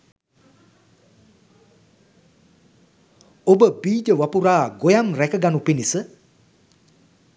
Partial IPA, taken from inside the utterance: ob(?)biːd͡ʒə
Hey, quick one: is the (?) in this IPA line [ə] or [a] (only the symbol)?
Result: ə